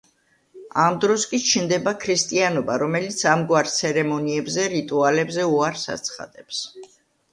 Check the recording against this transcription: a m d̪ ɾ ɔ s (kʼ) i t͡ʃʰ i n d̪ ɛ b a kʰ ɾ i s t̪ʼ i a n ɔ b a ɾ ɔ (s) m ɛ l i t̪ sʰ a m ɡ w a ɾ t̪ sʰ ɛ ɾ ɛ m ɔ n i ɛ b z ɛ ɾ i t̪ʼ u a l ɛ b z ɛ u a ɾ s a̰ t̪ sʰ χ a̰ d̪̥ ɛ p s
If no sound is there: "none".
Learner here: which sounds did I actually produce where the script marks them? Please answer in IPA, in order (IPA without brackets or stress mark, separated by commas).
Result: kʼ, none